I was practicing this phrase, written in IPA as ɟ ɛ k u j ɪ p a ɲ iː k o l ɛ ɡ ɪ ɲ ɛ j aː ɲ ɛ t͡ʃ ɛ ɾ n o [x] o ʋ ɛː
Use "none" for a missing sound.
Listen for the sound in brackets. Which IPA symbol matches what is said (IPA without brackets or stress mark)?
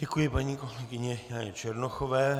x